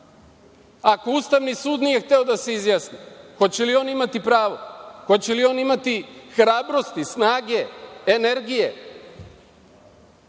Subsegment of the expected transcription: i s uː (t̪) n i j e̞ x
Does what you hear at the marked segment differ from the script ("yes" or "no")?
yes